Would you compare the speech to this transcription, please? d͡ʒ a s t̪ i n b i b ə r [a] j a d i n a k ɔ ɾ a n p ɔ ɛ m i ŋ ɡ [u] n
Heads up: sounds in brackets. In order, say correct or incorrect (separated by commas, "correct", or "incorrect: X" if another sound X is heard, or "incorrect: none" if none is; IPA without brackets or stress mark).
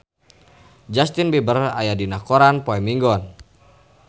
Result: correct, incorrect: ɔ